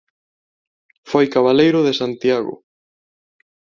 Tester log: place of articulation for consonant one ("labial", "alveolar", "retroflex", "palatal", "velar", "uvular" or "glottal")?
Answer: labial